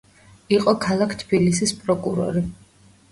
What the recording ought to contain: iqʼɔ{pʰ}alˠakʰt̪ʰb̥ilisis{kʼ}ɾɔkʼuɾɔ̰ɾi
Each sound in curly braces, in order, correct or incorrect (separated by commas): incorrect, incorrect